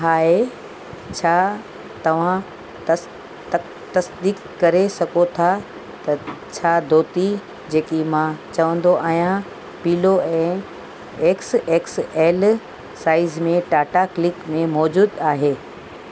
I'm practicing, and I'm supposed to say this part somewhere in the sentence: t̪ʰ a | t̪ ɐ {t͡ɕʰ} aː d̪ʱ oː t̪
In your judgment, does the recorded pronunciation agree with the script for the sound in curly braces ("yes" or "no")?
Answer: yes